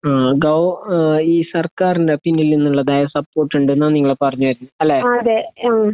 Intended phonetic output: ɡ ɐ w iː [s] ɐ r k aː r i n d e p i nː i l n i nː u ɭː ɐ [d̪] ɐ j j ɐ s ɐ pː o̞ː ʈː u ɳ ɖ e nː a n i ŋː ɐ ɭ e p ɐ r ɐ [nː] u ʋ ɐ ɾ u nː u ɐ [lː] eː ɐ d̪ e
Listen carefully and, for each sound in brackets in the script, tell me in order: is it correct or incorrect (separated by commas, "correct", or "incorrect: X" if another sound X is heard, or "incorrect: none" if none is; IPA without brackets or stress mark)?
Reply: correct, correct, incorrect: ɲː, correct